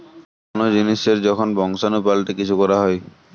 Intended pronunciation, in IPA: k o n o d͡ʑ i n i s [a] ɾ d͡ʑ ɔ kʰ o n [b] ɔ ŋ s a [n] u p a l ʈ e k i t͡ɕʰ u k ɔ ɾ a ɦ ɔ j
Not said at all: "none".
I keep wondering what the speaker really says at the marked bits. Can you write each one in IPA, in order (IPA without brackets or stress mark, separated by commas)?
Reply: e, b, n